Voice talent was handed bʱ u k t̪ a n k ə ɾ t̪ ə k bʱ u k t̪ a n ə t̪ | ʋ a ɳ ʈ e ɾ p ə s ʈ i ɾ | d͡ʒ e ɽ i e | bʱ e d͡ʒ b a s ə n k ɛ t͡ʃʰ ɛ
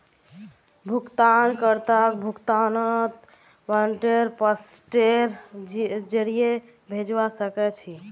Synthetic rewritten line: bʱ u k t̪ a n k ə ɾ t̪ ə k bʱ u k t̪ a n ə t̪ | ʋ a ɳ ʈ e ɾ p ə s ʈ e ɾ | d͡ʒ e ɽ i e | bʱ e d͡ʒ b a s ə k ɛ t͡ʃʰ i